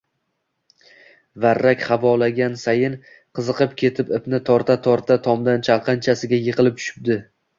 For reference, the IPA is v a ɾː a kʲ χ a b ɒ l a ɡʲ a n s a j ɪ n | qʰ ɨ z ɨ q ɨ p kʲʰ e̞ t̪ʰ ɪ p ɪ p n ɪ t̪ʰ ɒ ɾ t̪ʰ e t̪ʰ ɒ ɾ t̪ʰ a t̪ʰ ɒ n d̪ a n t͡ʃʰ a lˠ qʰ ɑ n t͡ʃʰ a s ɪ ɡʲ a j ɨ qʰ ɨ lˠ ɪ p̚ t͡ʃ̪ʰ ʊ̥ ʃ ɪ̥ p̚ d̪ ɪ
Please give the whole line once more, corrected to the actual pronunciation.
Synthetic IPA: v a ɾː a kʲ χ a v ɒ l a ɡʲ a n s a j ɪ n | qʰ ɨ z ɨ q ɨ p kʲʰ e̞ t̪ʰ ɪ p ɪ p n ɪ t̪ʰ ɒ ɾ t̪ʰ a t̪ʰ ɒ ɾ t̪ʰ a t̪ʰ ɒ m d̪ a n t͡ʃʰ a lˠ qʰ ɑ n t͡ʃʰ a s ɪ ɡʲ a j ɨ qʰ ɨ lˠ ɪ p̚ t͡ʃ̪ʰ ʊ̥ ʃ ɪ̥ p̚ d̪ ɪ